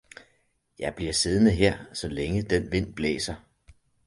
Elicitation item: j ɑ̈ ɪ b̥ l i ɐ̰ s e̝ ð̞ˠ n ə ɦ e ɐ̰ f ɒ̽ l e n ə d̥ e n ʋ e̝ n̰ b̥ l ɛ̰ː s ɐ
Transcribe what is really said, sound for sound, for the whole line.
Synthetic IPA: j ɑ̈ ɪ b̥ l i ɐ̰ s e̝ ð̞ˠ n ə ɦ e ɐ̰ s ɒ̽ l e ŋ ə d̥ e n ʋ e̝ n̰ b̥ l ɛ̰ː s ɐ